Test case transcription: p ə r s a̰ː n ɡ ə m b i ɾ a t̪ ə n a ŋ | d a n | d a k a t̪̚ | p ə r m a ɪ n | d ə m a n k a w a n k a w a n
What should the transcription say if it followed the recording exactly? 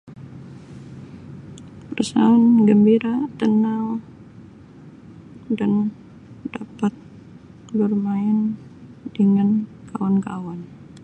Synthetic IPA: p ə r s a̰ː n ɡ ə m b i ɾ a t̪ ə n a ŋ | d a n | d a p a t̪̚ | b ə r m a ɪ n | d ə ŋ a n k a w a n k a w a n